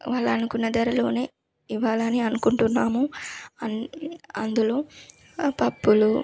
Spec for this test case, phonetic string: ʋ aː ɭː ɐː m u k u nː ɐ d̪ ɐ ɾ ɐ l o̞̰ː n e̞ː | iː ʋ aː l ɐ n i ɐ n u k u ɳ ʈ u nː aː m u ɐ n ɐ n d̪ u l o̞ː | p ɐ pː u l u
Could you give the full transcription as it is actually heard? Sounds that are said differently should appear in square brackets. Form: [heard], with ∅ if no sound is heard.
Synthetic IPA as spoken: ʋ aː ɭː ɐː [n] u k u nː ɐ d̪ ɐ ɾ ɐ l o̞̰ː n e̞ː | [i] ʋ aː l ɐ n i ɐ n u k u ɳ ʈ u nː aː m u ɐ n ɐ n d̪ u l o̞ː | p ɐ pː u l u